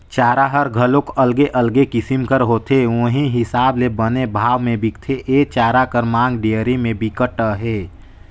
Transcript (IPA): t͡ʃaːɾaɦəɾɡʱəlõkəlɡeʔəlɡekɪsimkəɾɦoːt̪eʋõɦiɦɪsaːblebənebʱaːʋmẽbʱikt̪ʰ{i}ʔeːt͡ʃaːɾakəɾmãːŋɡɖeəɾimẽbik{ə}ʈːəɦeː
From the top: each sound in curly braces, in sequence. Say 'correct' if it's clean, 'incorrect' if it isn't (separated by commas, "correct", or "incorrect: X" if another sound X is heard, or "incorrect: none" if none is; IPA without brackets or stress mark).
incorrect: e, correct